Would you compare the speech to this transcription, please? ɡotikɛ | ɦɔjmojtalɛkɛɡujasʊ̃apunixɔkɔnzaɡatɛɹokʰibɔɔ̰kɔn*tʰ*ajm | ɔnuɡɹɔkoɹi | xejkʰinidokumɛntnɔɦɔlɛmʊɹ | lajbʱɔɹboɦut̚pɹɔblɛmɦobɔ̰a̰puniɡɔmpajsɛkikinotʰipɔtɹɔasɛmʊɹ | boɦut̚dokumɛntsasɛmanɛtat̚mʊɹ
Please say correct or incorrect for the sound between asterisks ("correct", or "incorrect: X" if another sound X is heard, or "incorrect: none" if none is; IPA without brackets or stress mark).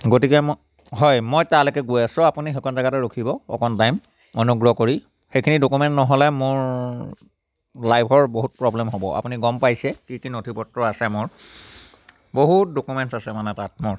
incorrect: t